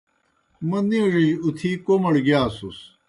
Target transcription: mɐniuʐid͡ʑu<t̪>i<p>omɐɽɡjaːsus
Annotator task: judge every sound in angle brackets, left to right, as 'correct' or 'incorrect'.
incorrect: t̪ʰ, incorrect: k

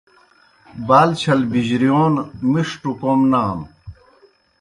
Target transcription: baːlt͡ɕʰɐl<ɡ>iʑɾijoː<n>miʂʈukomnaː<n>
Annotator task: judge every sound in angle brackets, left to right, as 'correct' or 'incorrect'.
incorrect: b, correct, incorrect: m

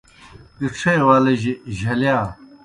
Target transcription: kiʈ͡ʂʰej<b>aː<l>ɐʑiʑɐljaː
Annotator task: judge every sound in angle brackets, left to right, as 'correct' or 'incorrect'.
incorrect: w, correct

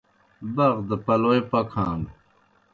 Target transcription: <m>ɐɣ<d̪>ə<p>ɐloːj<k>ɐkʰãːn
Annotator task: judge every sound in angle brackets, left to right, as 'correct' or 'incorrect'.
incorrect: b, correct, correct, incorrect: p

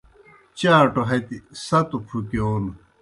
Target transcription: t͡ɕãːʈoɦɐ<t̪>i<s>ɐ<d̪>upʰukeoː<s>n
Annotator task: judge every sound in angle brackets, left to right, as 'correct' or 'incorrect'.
correct, correct, incorrect: t̪, incorrect: none

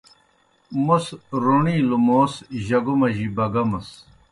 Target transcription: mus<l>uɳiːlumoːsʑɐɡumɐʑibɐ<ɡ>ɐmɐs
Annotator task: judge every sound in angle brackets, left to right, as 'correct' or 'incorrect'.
incorrect: ɾ, correct

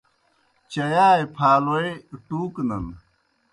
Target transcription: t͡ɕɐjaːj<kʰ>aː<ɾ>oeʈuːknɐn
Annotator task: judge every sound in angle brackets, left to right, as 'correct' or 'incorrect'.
incorrect: pʰ, incorrect: l

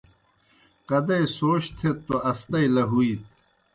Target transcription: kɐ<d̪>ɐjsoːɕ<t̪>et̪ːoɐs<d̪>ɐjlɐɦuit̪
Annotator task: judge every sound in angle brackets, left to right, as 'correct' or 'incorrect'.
correct, incorrect: t̪ʰ, incorrect: t̪

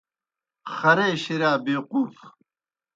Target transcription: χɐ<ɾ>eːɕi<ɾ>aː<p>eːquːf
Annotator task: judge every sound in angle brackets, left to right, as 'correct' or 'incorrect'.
correct, correct, incorrect: b

